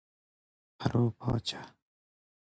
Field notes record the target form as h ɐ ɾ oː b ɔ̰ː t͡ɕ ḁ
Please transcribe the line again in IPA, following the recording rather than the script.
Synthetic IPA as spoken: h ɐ ɾ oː p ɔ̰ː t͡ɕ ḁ